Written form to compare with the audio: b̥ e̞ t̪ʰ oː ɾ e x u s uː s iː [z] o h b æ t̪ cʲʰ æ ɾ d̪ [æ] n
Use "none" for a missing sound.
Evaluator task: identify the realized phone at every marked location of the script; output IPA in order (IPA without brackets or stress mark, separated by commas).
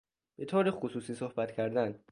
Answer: s, æ